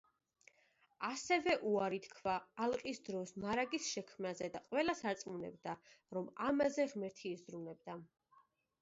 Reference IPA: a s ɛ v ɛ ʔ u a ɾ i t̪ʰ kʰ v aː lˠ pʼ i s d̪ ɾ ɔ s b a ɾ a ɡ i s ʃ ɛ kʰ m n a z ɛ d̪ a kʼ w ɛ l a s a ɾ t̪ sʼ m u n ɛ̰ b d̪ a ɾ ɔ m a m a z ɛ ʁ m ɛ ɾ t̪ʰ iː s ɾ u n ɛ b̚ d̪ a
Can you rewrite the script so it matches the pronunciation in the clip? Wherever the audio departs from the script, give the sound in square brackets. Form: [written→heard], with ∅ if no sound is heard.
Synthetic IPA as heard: a s ɛ v ɛ ʔ u a ɾ i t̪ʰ kʰ v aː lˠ [pʼ→qʼ] i s d̪ ɾ ɔ s [b→m] a ɾ a ɡ i s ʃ ɛ kʰ m n a z ɛ d̪ a [kʼ→qʼ] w ɛ l a s a ɾ t̪ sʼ m u n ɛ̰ b d̪ a ɾ ɔ m a m a z ɛ ʁ m ɛ ɾ t̪ʰ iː [s→z] ɾ u n ɛ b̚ d̪ a